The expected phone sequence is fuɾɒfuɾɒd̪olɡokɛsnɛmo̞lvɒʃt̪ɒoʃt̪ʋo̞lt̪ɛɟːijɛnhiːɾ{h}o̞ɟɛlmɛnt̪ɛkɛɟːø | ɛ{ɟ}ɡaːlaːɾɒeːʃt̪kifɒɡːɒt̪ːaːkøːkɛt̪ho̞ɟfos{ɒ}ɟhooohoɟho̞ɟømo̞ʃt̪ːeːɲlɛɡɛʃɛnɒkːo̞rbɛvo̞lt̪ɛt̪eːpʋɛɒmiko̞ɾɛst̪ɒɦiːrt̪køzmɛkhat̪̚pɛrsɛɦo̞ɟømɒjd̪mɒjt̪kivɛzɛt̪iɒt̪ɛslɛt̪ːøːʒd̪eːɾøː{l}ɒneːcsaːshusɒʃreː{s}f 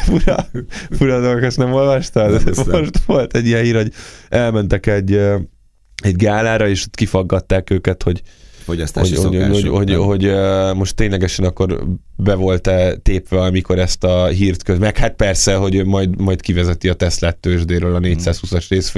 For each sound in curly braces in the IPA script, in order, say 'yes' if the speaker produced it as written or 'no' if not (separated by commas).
yes, yes, no, yes, yes